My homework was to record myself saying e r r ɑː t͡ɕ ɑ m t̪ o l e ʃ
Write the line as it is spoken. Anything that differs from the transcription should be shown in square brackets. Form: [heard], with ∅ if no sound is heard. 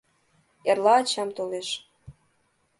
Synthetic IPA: e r [l] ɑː t͡ɕ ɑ m t̪ o l e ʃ